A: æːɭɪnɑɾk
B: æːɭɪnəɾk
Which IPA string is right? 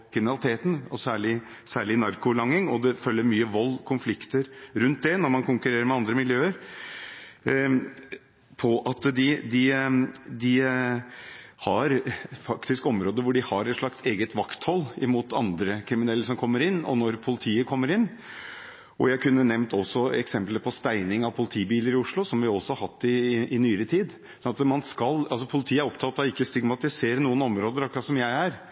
A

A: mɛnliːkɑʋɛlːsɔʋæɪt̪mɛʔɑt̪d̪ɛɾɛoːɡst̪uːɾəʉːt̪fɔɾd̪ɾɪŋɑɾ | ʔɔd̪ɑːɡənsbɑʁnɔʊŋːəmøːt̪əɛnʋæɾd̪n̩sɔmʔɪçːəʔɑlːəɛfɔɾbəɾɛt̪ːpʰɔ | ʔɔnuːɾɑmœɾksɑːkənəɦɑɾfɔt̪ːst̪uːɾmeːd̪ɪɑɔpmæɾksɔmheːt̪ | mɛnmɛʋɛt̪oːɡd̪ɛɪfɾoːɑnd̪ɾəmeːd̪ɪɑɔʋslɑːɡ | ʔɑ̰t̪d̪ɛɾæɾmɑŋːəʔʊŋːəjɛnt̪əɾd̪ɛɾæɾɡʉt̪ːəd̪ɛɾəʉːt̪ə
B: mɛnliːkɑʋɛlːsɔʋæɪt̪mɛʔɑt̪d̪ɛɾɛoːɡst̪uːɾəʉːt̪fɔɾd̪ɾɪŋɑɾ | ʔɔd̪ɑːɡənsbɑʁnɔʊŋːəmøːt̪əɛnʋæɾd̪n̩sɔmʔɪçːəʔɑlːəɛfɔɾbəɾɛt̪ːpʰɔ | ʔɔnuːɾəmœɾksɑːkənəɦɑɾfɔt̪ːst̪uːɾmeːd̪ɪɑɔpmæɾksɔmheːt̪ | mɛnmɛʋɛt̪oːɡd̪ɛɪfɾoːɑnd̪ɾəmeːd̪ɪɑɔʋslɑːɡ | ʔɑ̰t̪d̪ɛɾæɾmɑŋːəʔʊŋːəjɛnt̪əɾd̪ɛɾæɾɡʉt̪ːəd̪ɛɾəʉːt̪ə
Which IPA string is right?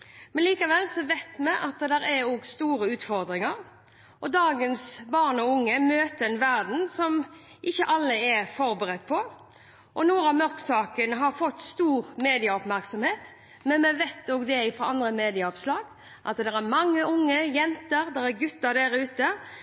A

